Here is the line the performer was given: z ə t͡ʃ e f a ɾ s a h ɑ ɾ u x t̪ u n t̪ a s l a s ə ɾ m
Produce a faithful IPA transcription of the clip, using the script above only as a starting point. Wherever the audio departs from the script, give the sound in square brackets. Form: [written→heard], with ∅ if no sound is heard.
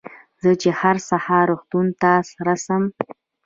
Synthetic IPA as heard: z ə t͡ʃ e [f→h] a ɾ s a h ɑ ɾ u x t̪ u n t̪ a s [l→ɾ] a s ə [ɾ→∅] m